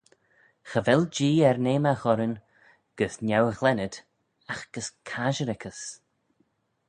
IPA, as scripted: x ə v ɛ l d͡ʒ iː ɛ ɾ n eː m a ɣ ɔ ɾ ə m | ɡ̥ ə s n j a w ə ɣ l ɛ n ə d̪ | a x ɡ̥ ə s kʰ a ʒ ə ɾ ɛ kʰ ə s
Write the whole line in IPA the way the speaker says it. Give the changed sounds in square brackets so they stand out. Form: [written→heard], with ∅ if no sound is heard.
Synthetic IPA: x ə v ɛ l d͡ʒ iː ɛ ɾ n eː m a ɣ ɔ ɾ ə [m→n] | ɡ̥ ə s n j a w ə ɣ l ɛ n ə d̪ | a x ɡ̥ ə s kʰ a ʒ ə ɾ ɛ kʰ ə s